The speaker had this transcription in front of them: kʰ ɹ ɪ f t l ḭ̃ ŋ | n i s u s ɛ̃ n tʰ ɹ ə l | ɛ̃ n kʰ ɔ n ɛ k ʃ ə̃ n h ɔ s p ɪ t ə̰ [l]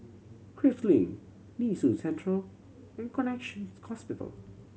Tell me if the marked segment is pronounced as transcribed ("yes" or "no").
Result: yes